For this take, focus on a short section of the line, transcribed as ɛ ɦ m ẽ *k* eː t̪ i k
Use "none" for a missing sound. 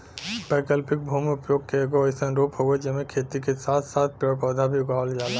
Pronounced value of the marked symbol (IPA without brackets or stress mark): kʰ